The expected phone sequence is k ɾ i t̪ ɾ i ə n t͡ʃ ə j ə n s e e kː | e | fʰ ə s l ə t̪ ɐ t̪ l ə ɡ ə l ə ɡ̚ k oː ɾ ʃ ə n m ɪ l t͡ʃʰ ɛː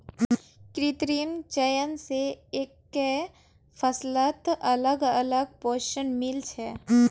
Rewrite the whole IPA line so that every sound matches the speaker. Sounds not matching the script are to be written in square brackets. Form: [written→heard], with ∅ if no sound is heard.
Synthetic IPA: k ɾ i t̪ ɾ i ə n t͡ʃ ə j ə n s e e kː | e | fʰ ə s l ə t̪ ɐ [t̪→∅] l ə ɡ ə l ə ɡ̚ [k→p] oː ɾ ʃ ə n m ɪ l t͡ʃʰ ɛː